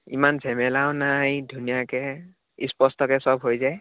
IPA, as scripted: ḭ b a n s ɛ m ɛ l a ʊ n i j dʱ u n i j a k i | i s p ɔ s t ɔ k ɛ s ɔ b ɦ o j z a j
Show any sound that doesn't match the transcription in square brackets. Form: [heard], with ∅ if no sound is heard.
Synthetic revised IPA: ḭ [m] a n [z] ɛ m ɛ l a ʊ n [a] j dʱ u n i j a k [ɛ] | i s p ɔ s t ɔ k ɛ s ɔ b ɦ o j z a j